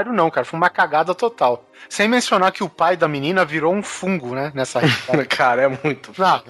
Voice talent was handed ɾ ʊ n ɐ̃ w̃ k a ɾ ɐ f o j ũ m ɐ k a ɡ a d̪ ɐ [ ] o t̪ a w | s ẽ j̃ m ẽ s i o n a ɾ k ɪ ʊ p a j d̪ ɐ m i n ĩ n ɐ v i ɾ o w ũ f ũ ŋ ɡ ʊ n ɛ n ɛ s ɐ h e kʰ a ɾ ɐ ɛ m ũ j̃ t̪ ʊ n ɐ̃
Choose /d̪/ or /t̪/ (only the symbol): t̪